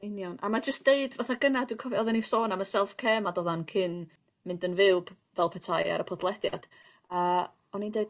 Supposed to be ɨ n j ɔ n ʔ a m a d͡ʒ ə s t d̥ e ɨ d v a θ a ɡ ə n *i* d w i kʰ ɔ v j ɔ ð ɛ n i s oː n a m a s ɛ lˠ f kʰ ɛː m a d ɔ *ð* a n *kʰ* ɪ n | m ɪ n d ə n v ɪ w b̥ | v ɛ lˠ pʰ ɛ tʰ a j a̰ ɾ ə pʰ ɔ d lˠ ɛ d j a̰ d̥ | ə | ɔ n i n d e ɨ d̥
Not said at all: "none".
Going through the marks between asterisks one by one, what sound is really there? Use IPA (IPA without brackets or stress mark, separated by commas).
a, ð, kʰ